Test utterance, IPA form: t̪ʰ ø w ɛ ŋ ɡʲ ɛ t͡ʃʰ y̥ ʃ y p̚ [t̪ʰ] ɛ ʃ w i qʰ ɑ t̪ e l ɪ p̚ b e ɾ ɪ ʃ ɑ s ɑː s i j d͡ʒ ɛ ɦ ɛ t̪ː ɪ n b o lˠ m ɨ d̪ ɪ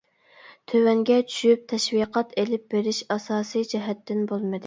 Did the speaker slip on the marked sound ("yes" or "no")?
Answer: no